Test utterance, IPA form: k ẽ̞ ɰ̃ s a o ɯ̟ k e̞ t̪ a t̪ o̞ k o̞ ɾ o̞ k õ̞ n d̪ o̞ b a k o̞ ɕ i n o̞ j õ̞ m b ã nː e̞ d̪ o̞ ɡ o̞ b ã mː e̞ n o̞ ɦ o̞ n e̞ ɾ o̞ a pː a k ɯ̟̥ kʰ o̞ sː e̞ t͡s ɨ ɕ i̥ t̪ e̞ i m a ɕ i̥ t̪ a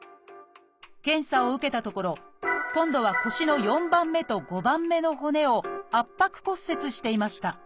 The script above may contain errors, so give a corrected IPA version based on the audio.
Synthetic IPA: k ẽ̞ ɰ̃ s a o ɯ̟ k e̞ t̪ a t̪ o̞ k o̞ ɾ o̞ k õ̞ n d̪ o̞ β a k o̞ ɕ i n o̞ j õ̞ m b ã mː e̞ t̪ o̞ ɡ o̞ b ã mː e̞ n o̞ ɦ o̞ n e̞ o̞ a pː a k ɯ̟̥ k o̞ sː e̞ t͡s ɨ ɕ i̥ t̪ e̞ i m a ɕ i̥ t̪ a